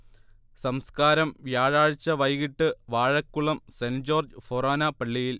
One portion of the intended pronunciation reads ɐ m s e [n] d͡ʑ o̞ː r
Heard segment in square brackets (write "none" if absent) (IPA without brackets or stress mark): n